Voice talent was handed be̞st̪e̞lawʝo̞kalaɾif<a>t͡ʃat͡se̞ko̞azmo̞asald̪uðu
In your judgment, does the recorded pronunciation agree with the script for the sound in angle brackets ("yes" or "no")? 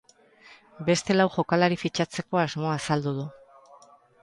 no